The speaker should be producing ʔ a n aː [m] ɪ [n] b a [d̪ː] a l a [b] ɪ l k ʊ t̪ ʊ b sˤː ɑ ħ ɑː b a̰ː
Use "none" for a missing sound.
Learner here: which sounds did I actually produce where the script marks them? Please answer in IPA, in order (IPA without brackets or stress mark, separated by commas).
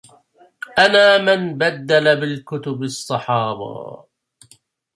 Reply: m, n, d̪ː, b